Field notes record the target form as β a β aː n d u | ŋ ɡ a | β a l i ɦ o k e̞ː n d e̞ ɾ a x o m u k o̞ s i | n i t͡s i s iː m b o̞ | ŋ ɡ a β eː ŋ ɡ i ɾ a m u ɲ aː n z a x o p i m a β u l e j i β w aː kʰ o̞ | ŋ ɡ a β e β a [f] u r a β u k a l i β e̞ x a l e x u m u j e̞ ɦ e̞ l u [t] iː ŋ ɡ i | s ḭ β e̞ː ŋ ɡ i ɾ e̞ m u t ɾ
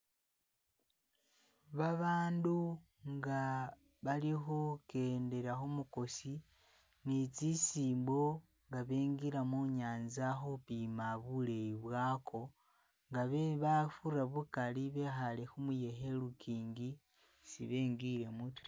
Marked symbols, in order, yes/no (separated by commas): yes, no